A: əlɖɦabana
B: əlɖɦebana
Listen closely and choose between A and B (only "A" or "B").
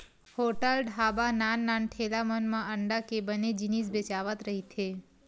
A